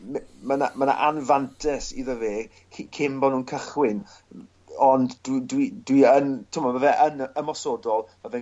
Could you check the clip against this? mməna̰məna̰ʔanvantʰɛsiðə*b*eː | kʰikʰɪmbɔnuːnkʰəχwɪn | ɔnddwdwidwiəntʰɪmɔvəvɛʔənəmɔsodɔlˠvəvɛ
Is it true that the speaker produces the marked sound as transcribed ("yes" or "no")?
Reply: no